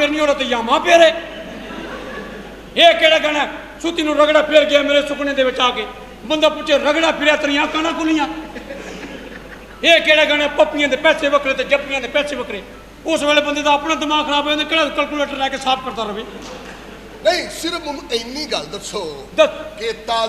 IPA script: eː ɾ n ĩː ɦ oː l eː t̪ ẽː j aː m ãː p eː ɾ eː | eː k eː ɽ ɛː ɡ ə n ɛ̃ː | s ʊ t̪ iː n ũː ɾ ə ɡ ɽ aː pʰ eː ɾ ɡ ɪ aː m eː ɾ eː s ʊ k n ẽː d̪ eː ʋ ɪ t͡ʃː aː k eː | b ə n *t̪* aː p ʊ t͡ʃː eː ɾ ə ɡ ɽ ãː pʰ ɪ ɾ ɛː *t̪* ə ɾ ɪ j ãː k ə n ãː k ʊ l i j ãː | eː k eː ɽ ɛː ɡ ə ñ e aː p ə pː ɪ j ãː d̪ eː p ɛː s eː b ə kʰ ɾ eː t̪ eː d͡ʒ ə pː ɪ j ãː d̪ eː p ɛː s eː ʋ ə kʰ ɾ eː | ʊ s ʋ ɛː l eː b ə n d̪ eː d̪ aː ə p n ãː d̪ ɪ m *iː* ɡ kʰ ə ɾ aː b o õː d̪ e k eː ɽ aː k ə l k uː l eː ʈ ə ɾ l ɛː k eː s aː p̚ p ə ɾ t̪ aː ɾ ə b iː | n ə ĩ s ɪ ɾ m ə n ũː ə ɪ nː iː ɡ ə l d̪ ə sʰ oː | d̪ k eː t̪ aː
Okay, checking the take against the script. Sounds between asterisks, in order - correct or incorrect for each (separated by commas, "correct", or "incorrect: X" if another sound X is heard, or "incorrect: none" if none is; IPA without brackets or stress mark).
incorrect: d̪, correct, incorrect: aː